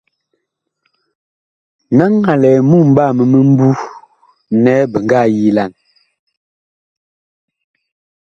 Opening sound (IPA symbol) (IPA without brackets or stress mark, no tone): n